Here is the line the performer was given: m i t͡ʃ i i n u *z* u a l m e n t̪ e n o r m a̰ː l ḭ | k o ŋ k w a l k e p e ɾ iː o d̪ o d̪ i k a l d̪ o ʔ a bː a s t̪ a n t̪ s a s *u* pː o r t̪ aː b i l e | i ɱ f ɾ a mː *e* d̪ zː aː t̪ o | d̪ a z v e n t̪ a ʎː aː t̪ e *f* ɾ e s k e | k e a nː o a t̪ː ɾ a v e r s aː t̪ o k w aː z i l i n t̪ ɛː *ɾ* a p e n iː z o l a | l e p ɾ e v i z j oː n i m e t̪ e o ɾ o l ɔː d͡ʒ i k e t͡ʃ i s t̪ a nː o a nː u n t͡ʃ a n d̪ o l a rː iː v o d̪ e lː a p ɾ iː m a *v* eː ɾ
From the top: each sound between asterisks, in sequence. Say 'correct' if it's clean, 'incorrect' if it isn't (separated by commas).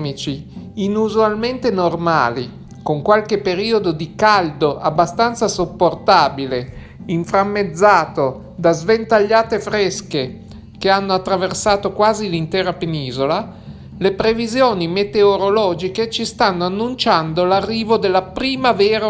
correct, incorrect, correct, correct, correct, correct